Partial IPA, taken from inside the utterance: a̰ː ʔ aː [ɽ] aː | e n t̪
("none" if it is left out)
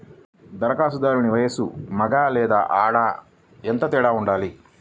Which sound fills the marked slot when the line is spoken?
ɽ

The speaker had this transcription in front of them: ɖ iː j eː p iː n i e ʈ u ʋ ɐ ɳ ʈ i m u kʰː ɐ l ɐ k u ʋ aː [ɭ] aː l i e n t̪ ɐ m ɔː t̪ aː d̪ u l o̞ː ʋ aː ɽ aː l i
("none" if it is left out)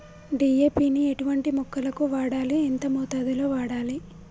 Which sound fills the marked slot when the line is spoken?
ɽ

